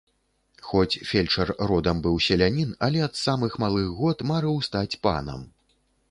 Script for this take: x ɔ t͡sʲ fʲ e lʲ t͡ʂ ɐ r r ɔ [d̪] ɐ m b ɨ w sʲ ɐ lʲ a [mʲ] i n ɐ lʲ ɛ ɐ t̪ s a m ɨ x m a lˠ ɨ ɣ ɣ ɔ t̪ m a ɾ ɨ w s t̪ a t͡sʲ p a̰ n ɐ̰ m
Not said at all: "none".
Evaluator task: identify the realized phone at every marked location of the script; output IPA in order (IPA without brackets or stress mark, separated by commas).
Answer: d̪, nʲ